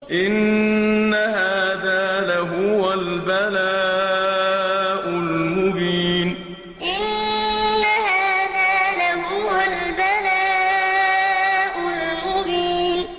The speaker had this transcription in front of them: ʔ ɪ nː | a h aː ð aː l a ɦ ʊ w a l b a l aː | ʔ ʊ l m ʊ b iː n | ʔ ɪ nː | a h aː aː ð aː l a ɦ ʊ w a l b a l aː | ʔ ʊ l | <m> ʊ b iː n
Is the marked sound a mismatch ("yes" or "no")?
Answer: no